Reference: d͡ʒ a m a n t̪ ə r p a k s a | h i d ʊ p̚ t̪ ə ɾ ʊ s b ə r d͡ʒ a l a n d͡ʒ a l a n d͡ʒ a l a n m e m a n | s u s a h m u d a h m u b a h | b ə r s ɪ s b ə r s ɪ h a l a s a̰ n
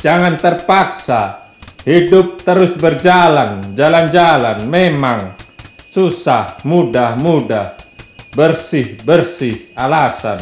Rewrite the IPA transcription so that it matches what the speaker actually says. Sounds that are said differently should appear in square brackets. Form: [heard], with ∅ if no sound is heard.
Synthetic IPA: d͡ʒ a [ŋ] a n t̪ ə r p a k s a | h i d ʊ p̚ t̪ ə ɾ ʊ s b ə r d͡ʒ a l a n d͡ʒ a l a n d͡ʒ a l a n m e m a [ŋ] | s u s a h m u d a h m u [d] a h | b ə r s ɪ [h] b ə r s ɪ h a l a s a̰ n